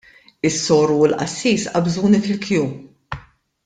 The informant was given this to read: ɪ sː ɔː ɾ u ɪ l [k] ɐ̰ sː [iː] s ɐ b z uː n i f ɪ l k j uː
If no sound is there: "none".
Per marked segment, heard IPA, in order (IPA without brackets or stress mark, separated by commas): ʔ, iː